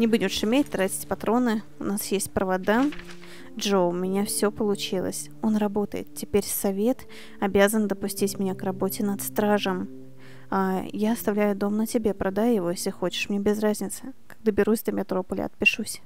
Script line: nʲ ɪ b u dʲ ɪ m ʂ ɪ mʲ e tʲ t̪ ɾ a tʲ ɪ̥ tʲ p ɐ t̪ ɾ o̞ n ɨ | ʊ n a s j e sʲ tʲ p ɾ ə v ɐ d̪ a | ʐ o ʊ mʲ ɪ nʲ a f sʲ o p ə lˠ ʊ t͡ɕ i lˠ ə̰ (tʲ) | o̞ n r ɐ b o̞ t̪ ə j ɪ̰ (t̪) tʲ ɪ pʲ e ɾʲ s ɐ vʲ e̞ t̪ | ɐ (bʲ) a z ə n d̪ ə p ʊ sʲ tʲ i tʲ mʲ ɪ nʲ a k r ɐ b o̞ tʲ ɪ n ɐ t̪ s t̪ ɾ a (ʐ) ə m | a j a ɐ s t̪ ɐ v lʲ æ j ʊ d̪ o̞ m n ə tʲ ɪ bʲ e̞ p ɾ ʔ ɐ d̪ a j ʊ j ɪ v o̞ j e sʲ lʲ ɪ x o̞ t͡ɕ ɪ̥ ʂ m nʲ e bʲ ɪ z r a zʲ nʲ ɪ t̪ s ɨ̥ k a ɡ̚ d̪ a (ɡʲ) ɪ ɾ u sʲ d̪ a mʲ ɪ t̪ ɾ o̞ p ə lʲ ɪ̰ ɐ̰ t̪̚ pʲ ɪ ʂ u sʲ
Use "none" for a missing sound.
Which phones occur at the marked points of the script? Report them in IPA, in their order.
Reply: sʲ, t̪, bʲ, ʐ, bʲ

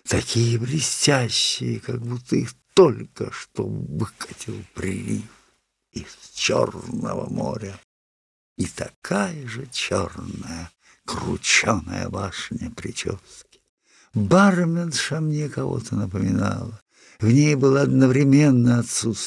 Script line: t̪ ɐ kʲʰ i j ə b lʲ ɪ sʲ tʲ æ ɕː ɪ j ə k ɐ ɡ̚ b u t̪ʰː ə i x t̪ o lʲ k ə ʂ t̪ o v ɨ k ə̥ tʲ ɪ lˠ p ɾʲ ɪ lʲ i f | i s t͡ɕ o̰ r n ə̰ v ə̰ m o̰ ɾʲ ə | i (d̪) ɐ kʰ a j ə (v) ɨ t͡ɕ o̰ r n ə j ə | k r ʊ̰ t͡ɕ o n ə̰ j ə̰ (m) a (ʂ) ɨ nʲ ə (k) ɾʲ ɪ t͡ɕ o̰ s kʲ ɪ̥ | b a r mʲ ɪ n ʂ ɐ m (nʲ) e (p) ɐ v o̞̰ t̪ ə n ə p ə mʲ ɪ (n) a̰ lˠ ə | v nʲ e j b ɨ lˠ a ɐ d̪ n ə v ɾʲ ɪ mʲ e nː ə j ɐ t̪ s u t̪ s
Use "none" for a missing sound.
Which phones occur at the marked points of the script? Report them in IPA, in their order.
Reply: t̪, ʐ, b, ʂ, p, nʲ, k, n

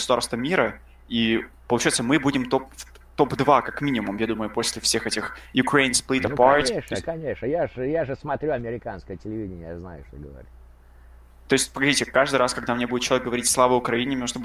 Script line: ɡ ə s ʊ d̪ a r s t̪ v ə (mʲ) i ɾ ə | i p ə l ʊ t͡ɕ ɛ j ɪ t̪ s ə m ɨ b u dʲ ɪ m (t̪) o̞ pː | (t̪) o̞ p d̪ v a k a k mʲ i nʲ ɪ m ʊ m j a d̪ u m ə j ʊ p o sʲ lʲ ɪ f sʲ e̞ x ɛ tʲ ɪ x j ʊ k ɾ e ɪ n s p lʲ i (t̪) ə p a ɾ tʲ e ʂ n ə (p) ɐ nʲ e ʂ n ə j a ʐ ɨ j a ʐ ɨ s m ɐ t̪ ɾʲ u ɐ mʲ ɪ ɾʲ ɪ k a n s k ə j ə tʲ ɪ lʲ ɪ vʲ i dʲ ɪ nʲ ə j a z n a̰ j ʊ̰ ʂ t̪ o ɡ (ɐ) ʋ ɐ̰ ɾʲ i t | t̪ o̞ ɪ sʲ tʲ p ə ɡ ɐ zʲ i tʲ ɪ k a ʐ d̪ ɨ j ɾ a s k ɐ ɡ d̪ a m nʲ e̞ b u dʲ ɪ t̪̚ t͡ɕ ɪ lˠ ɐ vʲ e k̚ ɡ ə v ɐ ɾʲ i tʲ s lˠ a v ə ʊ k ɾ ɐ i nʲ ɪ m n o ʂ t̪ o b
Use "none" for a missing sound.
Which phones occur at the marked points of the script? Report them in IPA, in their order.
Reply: mʲ, t̪, t̪, t̪, k, ə

